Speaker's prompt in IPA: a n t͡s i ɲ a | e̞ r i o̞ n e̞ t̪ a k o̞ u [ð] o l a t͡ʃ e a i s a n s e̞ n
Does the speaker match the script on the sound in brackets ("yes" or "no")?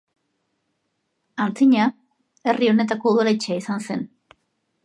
yes